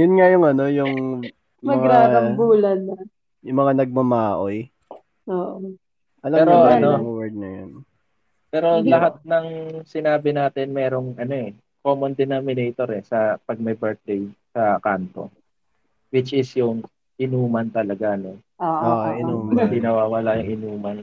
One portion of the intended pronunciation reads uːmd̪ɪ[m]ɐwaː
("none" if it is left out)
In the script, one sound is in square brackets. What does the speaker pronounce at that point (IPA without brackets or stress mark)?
n